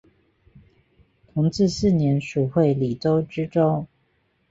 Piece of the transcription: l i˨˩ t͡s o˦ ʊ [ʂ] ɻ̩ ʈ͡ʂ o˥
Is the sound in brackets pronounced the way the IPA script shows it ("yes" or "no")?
no